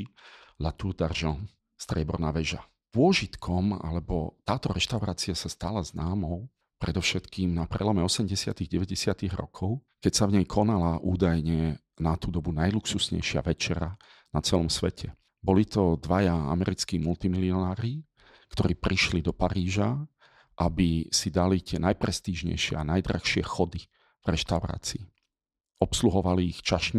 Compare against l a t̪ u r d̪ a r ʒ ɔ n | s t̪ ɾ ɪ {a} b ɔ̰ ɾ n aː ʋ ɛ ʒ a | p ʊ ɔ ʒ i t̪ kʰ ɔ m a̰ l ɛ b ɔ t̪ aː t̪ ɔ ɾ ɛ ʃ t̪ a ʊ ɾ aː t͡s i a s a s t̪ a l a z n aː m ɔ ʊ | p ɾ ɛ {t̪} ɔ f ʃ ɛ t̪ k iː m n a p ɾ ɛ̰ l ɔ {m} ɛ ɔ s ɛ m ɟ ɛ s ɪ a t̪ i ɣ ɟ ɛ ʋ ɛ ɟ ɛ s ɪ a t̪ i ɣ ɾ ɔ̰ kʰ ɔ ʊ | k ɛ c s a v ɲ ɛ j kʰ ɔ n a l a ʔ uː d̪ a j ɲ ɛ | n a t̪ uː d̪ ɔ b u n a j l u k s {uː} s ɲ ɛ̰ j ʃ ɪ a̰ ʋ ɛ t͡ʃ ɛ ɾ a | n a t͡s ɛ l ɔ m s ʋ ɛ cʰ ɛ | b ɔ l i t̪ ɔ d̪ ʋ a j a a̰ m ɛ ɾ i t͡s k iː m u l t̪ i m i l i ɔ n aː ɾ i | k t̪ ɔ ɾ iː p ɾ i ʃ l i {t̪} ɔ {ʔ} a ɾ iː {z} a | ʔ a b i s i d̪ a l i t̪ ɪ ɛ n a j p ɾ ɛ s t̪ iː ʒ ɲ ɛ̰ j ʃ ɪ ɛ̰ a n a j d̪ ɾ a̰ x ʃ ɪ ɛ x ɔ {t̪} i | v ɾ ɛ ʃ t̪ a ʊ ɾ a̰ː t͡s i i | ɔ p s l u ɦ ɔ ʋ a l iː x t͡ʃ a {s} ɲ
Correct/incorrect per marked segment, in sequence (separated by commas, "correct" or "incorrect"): incorrect, incorrect, correct, incorrect, incorrect, incorrect, incorrect, incorrect, incorrect